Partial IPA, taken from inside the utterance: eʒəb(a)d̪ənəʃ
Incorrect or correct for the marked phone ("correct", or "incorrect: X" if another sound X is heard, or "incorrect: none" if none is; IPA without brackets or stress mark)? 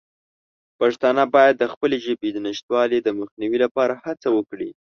incorrect: e